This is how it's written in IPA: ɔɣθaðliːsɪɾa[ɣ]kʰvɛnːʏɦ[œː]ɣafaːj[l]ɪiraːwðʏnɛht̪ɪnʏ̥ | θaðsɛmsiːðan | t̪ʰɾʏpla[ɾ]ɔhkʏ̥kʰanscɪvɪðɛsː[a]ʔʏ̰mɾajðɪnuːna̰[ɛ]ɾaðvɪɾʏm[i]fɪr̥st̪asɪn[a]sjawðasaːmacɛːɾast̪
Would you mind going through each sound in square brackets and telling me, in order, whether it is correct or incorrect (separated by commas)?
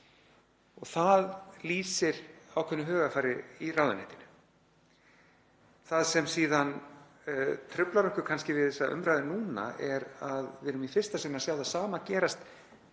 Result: incorrect, correct, incorrect, correct, correct, correct, correct, correct